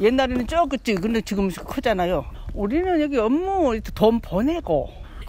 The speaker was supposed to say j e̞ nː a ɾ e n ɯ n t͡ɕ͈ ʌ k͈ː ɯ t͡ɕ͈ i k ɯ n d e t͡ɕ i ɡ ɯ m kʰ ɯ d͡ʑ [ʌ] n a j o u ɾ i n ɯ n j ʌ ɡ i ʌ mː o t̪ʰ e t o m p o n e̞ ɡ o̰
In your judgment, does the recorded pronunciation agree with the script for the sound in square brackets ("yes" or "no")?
no